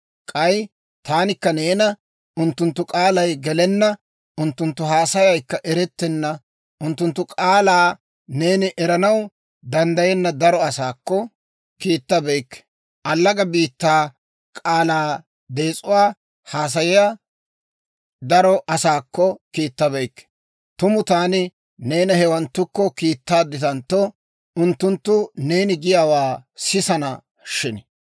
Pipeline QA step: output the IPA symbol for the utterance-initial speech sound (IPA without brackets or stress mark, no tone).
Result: kʼ